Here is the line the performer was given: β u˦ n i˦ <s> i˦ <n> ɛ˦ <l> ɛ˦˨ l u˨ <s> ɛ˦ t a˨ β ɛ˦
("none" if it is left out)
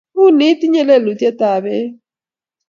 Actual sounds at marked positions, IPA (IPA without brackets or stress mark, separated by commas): t, ɲ, l, t